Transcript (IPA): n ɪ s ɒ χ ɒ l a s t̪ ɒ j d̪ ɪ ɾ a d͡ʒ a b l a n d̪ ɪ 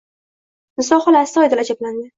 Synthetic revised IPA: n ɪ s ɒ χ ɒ l a s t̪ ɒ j d̪ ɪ l a d͡ʒ a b l a n d̪ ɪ